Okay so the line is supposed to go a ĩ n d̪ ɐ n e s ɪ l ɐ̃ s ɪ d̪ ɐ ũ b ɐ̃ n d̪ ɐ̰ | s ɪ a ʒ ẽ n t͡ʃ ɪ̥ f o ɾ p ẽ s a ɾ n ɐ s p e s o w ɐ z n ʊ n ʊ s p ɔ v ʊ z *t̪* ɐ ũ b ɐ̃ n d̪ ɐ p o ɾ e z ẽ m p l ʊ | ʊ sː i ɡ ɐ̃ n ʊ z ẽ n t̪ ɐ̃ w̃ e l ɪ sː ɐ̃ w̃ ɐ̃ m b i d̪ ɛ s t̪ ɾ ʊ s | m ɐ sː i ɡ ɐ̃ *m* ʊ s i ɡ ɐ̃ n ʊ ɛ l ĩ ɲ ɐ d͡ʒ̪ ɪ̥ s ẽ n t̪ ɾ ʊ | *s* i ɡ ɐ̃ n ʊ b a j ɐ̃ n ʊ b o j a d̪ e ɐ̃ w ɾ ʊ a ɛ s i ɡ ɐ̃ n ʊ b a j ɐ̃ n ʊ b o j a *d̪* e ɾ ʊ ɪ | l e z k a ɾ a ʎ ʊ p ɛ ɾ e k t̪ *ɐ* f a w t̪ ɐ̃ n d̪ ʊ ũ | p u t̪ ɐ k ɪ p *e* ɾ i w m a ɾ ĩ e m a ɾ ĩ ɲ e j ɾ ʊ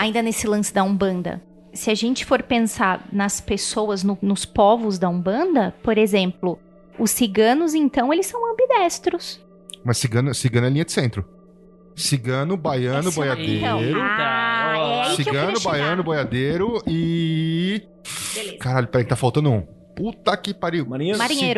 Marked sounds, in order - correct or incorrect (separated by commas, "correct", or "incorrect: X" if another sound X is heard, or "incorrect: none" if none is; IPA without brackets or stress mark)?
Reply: incorrect: d̪, incorrect: n, correct, correct, incorrect: a, incorrect: a